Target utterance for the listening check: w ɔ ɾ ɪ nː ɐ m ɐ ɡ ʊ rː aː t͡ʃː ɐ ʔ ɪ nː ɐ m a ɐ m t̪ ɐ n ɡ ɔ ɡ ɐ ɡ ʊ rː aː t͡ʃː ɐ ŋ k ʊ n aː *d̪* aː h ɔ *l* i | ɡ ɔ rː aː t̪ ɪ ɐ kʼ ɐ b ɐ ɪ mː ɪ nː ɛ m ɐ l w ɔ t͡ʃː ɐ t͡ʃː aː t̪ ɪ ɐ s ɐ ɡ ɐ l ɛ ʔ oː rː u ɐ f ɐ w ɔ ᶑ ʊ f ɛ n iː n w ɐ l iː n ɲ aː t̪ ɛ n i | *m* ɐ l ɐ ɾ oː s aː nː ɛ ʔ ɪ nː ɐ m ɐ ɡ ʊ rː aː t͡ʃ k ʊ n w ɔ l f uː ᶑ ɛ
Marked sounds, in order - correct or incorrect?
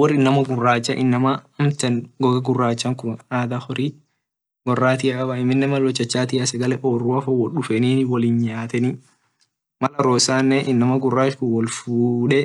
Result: correct, incorrect: ɾ, correct

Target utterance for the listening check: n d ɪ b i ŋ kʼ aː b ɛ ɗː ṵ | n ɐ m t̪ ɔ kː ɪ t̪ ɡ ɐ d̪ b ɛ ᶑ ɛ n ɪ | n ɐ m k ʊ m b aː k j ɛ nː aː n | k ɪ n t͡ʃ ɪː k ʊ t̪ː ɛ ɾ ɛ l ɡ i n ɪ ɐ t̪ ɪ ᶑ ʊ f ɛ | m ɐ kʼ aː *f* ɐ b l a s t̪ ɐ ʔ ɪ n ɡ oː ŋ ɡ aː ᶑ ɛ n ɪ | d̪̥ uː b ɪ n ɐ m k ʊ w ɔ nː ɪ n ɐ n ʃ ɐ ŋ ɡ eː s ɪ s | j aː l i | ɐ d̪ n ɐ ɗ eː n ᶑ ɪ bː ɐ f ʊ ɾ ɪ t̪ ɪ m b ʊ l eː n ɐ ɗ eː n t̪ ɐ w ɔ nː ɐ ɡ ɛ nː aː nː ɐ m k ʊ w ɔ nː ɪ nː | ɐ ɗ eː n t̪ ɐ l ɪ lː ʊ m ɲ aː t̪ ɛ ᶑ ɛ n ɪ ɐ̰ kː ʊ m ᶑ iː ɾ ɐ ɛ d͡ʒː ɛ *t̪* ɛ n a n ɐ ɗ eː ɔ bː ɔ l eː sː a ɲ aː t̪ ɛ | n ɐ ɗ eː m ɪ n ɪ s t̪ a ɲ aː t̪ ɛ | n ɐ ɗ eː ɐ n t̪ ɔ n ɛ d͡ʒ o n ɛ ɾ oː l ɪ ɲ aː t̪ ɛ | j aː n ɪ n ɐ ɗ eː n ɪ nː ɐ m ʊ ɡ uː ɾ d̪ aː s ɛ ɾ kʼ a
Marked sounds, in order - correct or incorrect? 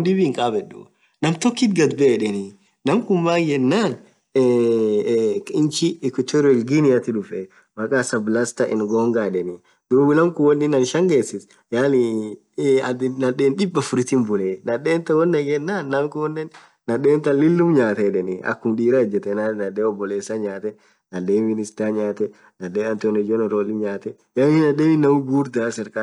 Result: incorrect: s, correct

